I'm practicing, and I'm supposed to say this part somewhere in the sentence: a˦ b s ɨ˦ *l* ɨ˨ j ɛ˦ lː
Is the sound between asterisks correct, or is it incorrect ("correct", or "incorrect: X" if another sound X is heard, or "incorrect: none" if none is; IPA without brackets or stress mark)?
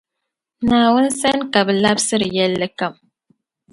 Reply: incorrect: ɾ